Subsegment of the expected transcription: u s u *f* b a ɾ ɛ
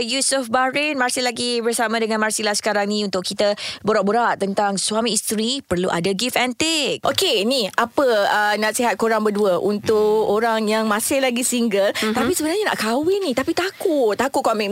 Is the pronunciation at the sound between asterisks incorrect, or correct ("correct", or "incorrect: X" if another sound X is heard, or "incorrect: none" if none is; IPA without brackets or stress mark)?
correct